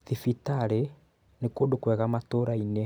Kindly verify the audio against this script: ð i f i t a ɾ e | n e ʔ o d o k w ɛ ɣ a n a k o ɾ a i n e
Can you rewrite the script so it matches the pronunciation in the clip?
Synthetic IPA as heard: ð i f i t a ɾ e | n e k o d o k w ɛ ɣ a m a t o ɾ a i n e